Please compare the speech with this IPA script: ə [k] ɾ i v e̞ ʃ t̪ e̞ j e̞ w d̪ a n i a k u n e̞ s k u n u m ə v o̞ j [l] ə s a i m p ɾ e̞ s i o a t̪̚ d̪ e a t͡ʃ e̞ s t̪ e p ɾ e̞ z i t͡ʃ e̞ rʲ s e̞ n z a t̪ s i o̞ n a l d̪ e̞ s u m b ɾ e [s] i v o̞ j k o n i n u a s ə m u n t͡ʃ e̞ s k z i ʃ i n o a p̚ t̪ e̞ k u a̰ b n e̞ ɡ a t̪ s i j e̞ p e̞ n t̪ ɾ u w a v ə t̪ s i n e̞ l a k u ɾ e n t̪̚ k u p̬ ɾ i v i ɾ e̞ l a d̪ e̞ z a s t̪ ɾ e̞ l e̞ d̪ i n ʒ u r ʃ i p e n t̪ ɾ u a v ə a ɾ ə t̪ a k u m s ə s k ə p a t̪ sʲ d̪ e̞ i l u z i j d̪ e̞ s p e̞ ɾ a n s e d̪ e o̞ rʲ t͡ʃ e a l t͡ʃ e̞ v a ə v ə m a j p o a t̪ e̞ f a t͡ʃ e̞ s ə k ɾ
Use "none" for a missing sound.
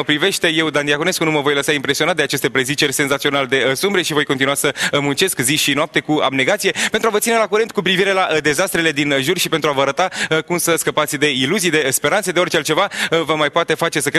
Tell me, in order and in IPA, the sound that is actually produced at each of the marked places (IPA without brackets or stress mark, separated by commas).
p, l, ʃ